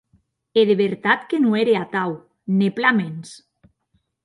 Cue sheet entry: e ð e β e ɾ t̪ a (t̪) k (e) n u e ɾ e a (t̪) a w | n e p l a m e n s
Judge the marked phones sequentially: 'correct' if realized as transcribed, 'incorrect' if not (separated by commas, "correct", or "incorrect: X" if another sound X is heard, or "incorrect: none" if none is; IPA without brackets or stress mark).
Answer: correct, correct, correct